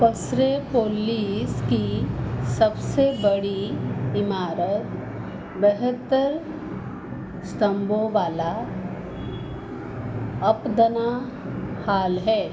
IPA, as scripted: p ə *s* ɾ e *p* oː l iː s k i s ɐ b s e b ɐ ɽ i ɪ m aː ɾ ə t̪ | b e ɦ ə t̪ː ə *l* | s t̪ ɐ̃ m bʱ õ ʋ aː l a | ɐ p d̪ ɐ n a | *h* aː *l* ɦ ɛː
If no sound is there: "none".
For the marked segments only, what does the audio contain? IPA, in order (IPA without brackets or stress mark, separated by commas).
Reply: s, p, ɾ, h, l